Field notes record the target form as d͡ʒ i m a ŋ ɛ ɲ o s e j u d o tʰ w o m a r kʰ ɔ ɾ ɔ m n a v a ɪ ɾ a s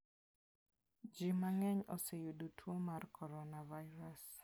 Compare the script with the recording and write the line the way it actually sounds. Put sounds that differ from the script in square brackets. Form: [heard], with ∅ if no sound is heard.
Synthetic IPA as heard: d͡ʒ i m a ŋ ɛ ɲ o s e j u d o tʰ w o m a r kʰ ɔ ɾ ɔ [∅] n a v a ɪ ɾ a s